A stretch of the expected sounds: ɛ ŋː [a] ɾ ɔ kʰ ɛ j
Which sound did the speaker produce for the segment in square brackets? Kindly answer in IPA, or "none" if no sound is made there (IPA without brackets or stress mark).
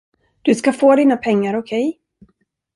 a